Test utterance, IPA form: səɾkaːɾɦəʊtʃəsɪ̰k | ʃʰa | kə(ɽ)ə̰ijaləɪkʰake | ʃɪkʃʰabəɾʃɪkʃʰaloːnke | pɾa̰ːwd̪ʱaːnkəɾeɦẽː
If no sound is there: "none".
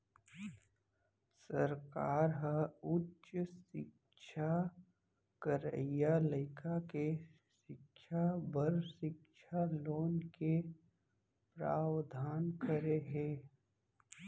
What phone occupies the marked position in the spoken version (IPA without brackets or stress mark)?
ɾ